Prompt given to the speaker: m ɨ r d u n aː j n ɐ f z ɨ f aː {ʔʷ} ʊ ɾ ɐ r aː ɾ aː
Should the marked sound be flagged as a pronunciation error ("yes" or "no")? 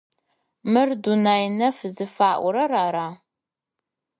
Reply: no